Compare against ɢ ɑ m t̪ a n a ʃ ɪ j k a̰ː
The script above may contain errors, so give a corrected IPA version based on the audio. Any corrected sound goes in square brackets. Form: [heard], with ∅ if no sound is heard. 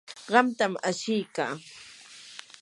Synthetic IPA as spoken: ɢ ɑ m t̪ a [m] a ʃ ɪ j k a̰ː